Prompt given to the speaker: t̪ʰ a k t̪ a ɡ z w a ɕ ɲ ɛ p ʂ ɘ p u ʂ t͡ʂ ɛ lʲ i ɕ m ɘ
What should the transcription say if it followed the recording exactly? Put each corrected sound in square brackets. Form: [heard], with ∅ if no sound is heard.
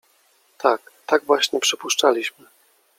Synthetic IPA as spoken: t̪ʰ a k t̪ a ɡ [v] w a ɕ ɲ ɛ p ʂ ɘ p u ʂ t͡ʂ [a] lʲ i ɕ m ɘ